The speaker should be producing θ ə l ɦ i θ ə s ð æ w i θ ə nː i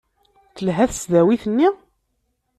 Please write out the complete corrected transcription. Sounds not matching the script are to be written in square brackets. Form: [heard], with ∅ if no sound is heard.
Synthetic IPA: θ ə l ɦ [æ] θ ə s ð æ w i θ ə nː i